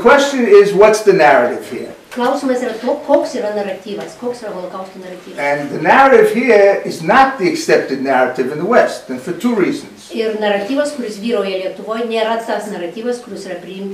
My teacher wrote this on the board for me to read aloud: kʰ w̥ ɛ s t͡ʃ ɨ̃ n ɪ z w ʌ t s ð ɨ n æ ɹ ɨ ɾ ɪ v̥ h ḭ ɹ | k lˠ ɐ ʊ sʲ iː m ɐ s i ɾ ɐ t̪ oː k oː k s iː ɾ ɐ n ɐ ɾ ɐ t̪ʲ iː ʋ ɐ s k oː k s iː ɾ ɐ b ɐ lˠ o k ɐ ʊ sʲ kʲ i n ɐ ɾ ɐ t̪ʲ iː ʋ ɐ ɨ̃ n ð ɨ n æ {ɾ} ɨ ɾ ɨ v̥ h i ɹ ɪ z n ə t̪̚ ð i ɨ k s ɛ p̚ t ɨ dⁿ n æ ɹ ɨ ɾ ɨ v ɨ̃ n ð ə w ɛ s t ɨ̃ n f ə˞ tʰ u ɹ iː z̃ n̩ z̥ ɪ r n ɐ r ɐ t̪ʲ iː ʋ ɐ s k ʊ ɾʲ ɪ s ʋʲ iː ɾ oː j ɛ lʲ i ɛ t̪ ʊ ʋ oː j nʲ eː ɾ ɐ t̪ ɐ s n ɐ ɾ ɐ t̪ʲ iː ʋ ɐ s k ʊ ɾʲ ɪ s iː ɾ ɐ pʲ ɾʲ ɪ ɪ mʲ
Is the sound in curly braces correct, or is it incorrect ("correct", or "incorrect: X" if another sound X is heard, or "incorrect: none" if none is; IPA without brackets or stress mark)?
incorrect: ɹ